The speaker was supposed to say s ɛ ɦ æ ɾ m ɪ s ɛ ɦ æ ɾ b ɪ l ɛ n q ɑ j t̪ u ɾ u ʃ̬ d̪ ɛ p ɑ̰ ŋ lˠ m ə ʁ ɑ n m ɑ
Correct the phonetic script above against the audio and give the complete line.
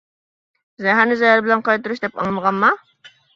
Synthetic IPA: z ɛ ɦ æ ɾ n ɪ z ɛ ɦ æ ɾ b ɪ l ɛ n q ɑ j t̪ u ɾ u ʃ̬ d̪ ɛ p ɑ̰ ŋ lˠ m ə ʁ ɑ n m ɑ